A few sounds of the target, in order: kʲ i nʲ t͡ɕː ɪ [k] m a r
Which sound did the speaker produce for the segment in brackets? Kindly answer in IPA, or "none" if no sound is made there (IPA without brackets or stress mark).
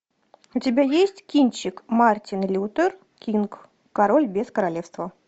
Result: k